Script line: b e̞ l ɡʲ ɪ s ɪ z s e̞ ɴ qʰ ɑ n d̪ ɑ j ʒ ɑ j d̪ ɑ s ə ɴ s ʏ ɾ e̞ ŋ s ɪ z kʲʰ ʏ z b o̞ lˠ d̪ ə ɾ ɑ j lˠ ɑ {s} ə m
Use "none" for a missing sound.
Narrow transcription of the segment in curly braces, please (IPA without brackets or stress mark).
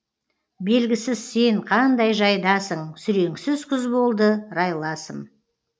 s